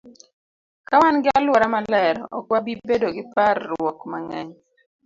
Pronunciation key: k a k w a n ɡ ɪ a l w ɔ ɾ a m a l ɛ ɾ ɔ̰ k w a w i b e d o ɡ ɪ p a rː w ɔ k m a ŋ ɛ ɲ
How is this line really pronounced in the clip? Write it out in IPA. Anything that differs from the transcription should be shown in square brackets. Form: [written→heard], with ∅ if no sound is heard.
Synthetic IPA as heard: k a [k→∅] w a n ɡ ɪ a l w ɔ ɾ a m a l ɛ ɾ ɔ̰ k w a [w→b] i b e d o ɡ ɪ p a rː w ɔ k m a ŋ ɛ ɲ